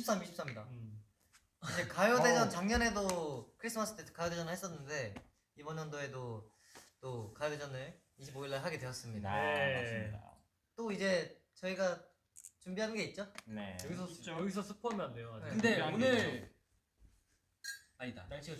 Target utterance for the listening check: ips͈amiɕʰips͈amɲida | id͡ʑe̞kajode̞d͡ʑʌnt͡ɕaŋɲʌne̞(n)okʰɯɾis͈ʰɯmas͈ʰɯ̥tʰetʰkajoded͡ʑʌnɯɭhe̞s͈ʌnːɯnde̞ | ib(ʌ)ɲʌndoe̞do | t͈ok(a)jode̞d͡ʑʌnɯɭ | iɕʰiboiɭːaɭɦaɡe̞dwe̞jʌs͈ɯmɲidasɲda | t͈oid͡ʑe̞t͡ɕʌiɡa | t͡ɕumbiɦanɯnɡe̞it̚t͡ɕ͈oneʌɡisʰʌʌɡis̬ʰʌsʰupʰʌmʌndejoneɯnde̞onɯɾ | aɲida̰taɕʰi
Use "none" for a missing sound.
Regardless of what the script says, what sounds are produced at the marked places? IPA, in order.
d, ʌ, a

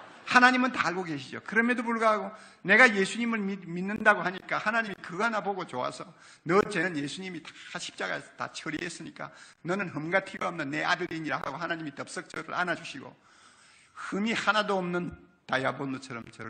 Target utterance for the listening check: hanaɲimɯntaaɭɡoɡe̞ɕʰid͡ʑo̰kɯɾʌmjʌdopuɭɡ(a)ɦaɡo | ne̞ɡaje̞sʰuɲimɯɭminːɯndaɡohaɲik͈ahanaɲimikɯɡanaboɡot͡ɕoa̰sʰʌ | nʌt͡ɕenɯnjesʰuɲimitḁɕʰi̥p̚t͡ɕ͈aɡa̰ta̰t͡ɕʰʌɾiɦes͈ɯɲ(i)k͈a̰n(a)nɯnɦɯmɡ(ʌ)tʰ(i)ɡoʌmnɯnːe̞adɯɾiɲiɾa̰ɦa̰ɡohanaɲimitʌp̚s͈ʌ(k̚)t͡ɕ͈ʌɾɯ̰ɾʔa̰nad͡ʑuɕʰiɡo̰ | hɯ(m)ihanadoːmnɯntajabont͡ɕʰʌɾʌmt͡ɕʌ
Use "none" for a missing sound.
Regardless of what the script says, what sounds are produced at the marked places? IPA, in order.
a, i, ʌ, a, i, k̚, m

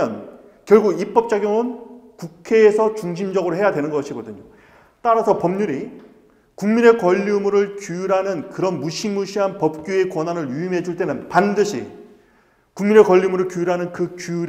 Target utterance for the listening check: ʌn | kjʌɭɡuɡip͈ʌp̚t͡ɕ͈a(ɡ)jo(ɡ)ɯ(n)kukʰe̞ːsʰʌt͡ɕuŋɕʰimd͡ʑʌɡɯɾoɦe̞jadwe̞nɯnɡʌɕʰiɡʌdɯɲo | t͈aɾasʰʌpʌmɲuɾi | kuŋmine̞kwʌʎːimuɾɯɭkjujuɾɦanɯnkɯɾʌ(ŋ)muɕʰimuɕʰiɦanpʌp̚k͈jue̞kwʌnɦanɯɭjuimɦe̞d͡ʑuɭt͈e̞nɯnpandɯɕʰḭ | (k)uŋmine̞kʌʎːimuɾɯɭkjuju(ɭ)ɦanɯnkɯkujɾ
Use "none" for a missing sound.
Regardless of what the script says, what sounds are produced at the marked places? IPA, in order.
ɡ, ŋ, n, n, k, ɾ

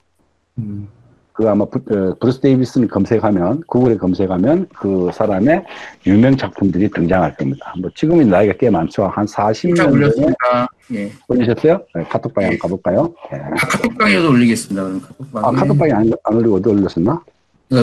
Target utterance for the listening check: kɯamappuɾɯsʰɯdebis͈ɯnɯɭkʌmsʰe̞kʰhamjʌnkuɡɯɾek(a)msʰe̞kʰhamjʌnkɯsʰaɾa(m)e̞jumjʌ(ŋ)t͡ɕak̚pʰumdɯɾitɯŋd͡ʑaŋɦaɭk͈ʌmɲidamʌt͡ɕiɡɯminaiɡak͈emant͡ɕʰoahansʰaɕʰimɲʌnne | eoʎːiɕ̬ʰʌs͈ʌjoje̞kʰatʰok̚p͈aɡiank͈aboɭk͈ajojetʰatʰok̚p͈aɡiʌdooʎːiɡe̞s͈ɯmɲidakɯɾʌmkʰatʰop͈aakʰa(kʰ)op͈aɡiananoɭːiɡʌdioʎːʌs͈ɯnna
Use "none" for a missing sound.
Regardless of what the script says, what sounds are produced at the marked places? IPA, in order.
ʌ, m, ŋ, tʰ

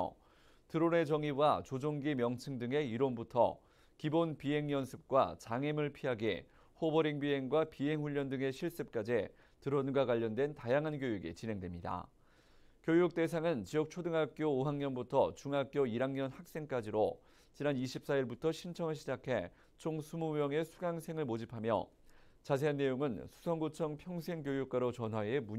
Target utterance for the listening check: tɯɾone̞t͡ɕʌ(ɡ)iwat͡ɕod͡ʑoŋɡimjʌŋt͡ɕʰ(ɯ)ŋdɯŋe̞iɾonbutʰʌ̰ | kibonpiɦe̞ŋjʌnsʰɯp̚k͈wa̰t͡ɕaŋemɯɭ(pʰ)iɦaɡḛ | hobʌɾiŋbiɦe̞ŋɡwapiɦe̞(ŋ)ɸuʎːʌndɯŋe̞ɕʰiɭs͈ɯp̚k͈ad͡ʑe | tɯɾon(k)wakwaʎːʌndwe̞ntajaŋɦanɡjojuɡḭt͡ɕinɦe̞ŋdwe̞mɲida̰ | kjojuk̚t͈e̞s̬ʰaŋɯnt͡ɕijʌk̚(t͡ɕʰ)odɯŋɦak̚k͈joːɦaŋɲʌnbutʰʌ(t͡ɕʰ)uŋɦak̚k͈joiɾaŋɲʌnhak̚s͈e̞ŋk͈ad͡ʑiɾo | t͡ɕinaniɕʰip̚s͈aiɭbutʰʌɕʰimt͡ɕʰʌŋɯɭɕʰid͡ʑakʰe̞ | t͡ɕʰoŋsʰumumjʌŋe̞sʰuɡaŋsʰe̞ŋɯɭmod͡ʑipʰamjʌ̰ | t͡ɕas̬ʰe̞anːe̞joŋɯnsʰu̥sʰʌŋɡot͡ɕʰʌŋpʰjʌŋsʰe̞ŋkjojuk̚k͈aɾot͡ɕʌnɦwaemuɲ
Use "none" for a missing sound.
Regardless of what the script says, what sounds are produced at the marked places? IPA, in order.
ŋ, ɯ, pʰ, ŋ, ɡ, t͡ɕʰ, t͡ɕ

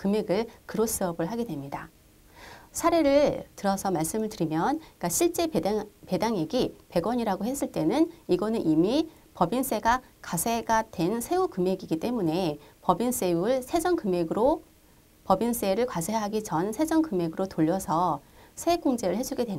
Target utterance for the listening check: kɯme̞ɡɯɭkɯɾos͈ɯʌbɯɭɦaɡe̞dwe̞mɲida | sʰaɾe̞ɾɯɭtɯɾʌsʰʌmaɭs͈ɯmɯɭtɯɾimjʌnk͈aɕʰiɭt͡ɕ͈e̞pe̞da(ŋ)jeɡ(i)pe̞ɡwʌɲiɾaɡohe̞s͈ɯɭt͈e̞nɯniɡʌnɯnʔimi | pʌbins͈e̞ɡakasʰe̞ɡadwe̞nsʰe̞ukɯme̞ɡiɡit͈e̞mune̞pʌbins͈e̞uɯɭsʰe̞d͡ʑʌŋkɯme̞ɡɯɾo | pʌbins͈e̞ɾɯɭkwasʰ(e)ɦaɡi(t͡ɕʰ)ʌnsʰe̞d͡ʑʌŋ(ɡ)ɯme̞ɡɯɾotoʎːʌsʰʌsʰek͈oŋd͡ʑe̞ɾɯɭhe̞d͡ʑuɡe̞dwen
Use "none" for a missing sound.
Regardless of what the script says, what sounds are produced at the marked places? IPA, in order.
ŋ, i, e, t͡ɕ, k

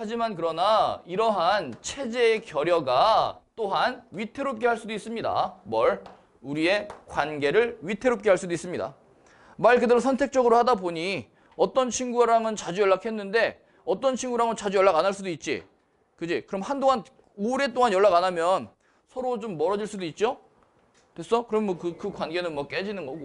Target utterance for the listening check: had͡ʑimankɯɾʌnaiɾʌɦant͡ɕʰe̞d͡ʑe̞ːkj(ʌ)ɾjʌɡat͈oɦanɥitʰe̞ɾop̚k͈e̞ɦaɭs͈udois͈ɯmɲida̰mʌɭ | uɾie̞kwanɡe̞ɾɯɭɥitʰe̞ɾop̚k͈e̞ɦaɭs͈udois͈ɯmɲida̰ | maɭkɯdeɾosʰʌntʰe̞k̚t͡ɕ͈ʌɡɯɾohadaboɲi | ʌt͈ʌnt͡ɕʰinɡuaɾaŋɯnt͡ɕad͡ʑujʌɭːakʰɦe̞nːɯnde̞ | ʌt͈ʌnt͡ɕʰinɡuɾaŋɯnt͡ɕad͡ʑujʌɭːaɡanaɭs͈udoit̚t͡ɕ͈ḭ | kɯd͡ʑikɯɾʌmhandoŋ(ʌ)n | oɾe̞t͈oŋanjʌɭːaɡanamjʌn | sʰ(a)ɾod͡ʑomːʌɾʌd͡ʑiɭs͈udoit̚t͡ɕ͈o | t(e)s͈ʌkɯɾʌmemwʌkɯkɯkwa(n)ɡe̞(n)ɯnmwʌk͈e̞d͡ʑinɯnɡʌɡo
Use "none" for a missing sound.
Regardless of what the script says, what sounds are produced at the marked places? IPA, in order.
ʌ, a, ʌ, e, n, n

